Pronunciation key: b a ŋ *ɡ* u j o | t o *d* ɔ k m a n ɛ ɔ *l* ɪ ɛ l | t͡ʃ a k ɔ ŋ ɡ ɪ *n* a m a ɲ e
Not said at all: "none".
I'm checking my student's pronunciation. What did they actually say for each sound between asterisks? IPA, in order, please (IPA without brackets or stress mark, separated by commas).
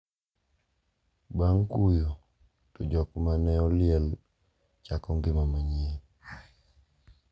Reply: k, d͡ʒ, l, m